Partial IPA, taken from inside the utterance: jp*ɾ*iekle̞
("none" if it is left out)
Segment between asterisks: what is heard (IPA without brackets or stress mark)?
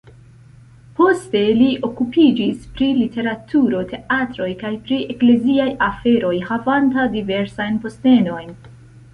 ɾ